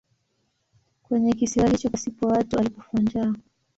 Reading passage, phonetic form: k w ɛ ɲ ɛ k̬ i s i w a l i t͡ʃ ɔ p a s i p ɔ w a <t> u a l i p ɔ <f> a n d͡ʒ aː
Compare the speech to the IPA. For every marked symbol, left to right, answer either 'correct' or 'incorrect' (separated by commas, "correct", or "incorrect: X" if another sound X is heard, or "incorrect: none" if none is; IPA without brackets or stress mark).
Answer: correct, correct